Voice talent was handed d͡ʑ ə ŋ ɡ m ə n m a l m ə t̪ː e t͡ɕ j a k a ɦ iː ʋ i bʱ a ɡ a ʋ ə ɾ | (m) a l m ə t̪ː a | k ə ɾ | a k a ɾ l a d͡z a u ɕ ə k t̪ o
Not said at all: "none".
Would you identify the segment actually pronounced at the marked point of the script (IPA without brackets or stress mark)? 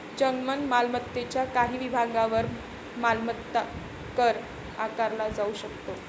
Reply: m